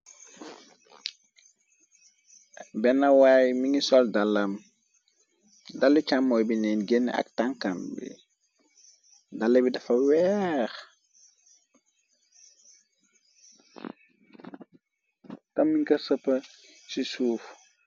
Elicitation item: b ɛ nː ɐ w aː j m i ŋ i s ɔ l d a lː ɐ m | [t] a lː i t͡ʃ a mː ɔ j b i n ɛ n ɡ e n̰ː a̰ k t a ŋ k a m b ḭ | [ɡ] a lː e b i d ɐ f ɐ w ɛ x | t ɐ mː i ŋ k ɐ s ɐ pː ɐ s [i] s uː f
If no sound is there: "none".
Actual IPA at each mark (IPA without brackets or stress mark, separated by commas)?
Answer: d, d, i